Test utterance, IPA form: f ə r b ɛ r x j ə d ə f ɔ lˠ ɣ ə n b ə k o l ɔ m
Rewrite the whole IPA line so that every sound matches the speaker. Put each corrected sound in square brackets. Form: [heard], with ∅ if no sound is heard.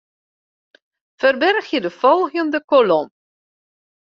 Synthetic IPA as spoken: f ə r b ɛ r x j ə d ə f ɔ lˠ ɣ ə n [d] ə k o l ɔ m